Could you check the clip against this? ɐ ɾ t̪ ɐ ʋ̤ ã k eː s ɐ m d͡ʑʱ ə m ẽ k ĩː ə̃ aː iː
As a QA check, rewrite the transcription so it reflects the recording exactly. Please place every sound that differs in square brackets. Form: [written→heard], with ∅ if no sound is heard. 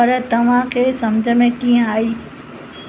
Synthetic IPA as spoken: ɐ ɾ t̪ ɐ ʋ̤ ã [k→kʰ] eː s ɐ m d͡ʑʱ ə m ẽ k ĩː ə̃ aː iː